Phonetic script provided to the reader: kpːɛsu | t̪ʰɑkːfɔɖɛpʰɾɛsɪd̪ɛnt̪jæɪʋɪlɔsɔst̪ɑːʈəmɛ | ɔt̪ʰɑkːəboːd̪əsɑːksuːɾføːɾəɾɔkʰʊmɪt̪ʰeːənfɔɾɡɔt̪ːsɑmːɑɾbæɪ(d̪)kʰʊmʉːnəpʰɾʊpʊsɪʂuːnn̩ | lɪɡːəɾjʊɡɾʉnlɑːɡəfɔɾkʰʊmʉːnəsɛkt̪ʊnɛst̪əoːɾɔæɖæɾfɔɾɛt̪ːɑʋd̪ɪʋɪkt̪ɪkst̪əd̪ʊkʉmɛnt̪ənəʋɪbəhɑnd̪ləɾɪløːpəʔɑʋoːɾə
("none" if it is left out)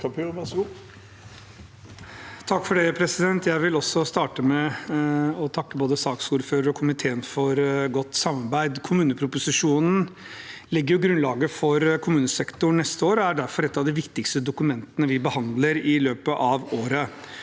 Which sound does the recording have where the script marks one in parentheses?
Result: d̪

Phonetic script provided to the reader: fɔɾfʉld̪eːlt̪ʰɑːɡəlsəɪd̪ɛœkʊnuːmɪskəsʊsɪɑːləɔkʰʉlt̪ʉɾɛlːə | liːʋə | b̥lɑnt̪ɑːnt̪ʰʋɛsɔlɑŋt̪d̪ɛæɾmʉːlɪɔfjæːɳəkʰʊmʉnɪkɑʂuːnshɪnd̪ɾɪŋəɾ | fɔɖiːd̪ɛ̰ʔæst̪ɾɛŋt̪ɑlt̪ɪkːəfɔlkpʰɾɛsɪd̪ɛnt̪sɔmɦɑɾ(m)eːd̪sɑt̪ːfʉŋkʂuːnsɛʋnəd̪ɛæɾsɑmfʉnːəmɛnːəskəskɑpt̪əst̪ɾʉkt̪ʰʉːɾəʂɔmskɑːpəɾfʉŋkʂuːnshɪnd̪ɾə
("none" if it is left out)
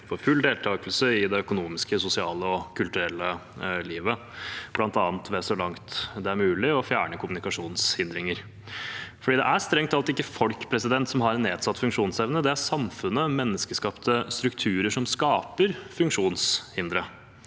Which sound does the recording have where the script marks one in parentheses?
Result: n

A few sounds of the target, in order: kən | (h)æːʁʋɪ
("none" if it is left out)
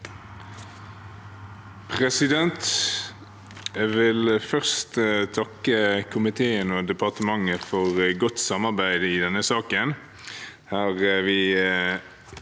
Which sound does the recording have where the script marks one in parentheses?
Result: h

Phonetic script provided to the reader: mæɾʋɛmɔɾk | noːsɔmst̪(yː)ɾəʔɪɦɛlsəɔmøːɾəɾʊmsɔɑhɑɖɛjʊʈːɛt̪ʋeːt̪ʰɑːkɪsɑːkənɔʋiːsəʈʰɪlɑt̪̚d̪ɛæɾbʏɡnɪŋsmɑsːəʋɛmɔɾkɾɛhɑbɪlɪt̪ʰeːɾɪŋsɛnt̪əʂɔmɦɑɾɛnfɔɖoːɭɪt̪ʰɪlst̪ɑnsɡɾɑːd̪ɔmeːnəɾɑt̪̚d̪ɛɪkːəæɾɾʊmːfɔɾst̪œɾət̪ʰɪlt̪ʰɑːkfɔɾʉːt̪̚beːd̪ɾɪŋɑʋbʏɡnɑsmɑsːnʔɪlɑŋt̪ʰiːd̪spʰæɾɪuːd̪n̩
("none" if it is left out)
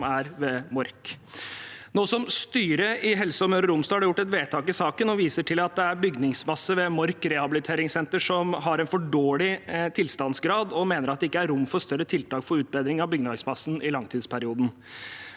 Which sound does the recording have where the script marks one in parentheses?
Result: yː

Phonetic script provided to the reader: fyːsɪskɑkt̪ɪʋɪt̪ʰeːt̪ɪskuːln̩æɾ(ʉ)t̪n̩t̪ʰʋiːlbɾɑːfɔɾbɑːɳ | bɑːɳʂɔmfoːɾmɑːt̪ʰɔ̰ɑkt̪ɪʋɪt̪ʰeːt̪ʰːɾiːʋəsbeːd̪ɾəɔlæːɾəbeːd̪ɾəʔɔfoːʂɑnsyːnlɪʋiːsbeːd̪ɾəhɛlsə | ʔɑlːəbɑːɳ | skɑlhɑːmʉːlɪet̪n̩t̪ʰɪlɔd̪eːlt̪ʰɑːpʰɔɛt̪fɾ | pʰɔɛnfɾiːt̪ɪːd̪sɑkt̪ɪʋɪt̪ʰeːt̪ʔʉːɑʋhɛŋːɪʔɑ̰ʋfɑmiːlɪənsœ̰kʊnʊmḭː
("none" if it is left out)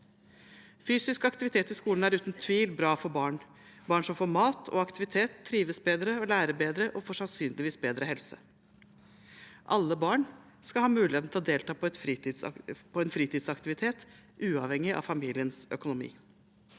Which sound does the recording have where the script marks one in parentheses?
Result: ʉː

